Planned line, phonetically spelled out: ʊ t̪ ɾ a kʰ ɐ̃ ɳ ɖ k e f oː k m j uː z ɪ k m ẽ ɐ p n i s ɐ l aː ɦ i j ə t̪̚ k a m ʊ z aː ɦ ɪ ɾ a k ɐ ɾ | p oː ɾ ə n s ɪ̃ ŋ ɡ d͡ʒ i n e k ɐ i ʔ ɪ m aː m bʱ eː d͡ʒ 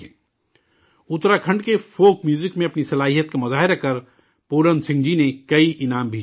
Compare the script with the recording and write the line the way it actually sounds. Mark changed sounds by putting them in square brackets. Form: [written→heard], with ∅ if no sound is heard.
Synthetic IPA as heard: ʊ t̪ ɾ a kʰ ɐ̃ ɳ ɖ k e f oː k m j uː z ɪ k m ẽ ɐ p n i s ɐ l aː ɦ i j ə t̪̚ k a m ʊ z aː ɦ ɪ ɾ a k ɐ ɾ | p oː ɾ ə n s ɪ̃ ŋ ɡ d͡ʒ i n e k ɐ i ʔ ɪ [m→n] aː m bʱ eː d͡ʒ